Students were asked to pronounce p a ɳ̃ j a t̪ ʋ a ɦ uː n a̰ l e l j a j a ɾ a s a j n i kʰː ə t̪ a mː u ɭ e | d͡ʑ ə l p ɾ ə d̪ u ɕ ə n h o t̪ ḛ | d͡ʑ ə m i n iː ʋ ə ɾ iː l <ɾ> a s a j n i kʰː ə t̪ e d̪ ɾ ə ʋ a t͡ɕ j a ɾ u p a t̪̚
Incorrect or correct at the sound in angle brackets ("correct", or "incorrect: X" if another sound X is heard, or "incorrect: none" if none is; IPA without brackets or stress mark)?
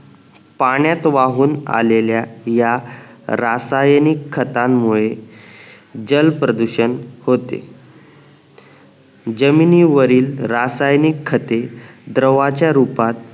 correct